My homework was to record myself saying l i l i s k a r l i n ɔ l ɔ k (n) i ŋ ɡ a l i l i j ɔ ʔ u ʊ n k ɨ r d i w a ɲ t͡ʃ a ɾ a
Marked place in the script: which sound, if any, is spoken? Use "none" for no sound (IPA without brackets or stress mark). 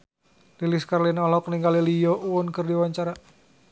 n